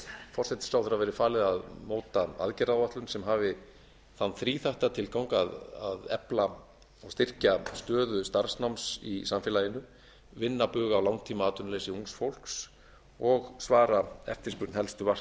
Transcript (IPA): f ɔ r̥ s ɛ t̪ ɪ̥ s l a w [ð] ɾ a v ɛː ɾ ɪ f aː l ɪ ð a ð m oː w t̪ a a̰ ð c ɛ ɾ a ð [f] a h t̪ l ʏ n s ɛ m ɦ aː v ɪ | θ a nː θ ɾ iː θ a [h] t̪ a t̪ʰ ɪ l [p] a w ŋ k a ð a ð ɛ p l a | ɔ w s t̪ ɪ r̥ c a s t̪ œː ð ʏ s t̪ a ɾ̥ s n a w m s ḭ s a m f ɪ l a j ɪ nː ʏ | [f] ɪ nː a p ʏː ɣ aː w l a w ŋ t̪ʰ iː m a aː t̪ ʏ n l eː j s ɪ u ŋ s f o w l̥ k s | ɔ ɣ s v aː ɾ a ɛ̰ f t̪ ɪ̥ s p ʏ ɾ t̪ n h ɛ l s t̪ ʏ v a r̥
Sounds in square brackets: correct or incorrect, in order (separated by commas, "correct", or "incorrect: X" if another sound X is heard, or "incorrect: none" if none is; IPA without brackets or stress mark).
incorrect: θ, incorrect: v, correct, incorrect: k, incorrect: v